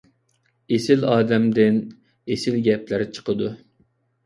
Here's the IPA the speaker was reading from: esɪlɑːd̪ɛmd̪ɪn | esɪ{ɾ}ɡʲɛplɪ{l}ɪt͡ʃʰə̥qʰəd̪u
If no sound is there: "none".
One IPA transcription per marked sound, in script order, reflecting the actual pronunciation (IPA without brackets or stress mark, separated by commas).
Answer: l, ɾ